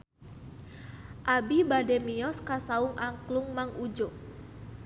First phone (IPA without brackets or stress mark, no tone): ʔ